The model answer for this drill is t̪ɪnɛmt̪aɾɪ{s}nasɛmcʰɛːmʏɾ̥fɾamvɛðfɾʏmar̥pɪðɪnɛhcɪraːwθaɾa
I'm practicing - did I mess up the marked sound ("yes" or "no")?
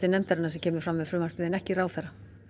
yes